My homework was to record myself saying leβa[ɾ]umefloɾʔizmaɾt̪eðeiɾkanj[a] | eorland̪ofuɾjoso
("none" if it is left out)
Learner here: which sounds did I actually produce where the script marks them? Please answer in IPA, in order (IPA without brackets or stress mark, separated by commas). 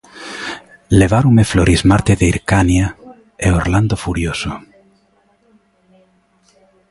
ɾ, a